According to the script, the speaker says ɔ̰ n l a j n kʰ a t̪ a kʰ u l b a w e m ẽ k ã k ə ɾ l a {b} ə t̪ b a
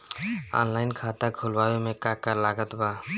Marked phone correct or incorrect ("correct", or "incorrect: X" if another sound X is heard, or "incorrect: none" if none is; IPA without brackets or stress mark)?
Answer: incorrect: ɡ